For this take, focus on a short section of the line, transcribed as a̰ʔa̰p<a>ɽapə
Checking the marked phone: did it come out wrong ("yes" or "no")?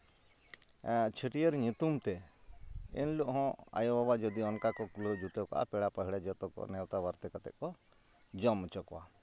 yes